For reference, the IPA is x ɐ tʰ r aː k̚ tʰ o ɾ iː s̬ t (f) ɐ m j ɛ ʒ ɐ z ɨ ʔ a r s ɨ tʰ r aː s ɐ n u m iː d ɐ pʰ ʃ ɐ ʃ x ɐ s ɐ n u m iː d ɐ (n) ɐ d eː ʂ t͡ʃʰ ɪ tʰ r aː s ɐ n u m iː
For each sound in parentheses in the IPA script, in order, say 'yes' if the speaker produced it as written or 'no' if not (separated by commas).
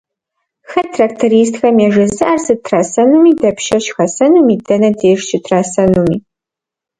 no, yes